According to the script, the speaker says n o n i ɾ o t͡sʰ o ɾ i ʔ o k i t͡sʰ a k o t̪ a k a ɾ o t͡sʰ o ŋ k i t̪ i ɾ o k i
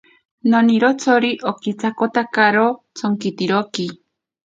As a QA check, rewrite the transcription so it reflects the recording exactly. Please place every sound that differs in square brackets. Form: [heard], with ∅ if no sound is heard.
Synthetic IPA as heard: n o n i ɾ o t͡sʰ o ɾ i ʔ o k i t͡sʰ a k o t̪ a k a ɾ o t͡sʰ o ŋ k i t̪ i ɾ o k i

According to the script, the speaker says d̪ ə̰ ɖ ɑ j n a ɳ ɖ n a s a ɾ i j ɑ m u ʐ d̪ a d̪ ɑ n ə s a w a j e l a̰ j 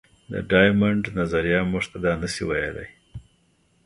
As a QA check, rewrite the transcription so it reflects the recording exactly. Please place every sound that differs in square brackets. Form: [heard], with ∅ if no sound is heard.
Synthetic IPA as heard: d̪ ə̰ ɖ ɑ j [m] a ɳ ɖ n a [z] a ɾ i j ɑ m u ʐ [t̪] a d̪ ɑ n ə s [i] w a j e l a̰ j

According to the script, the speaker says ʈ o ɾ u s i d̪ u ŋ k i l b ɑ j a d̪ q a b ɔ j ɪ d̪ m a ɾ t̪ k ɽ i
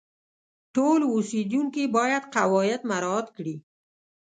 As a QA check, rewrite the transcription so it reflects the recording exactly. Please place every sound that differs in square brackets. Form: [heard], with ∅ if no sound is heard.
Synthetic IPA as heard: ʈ o [l] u s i d̪ u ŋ k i [∅] b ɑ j a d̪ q a [w] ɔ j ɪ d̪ m a ɾ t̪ k ɽ i

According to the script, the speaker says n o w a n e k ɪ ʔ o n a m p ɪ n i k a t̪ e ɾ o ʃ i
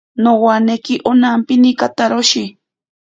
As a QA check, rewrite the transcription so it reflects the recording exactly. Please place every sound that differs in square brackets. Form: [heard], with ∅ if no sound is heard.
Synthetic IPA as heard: n o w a n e k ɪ ʔ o n a m p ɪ n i k a t̪ [a] ɾ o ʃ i

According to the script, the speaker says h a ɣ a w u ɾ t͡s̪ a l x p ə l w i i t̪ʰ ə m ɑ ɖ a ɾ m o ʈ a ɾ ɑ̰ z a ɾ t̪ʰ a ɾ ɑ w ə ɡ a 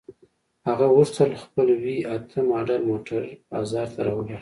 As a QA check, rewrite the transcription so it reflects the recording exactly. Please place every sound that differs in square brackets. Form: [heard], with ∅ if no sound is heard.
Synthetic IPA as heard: h a ɣ a w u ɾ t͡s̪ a l x p ə l w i [a] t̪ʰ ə m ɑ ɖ a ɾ m o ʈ a ɾ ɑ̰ z [ɑ] ɾ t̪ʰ a ɾ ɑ w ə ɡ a

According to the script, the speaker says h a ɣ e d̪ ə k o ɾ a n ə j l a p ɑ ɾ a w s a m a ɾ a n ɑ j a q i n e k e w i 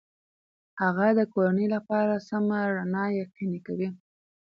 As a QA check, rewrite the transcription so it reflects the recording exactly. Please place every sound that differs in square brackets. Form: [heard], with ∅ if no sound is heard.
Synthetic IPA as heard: h a ɣ [a] d̪ ə k o ɾ a n ə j l a p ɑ ɾ a [∅] s a m a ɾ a n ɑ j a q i n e k [a] w i

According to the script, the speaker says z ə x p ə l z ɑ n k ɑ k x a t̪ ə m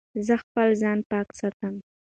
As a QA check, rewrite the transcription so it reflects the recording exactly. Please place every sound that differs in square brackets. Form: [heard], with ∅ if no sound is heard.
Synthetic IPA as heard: z ə x p ə l z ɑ n [p] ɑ k [s] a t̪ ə m

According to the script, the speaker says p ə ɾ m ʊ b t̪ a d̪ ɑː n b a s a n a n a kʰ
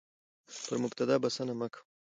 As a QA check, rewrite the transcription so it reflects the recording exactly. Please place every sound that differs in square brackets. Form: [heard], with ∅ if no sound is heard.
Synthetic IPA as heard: p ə ɾ m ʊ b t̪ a d̪ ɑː [∅] b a s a n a [m] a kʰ

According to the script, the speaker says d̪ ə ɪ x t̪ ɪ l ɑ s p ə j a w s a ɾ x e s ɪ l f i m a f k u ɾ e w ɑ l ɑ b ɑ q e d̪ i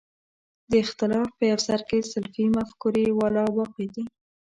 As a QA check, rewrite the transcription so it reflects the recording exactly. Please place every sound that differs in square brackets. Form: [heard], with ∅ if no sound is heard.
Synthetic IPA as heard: d̪ ə ɪ x t̪ ɪ l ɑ [f] p ə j a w s a ɾ [k] e s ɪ l f i m a f k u ɾ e w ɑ l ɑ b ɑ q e d̪ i

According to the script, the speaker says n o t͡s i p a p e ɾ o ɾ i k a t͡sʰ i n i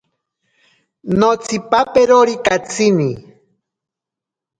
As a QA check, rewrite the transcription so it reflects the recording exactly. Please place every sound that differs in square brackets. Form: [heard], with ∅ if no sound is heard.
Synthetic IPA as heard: n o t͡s i p a p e ɾ o ɾ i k a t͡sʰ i n i

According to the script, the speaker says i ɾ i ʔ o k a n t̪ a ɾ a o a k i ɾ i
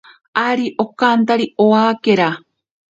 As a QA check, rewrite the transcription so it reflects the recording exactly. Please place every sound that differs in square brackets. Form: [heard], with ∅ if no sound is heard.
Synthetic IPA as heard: [a] ɾ i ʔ o k a n t̪ a ɾ [i] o a k [e] ɾ [a]

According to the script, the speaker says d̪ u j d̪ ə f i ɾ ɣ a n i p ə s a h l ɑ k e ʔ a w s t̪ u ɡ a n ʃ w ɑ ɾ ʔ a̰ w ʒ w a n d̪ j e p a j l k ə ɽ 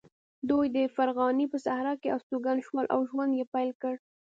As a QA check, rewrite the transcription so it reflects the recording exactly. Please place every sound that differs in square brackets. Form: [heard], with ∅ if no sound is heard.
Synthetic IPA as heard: d̪ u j d̪ ə f [a] ɾ ɣ [ɑ] n i p ə s a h [ɾ] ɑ k e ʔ a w s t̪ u ɡ a n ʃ w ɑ [l] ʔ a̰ w ʒ w a n d̪ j e p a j l k ə ɽ

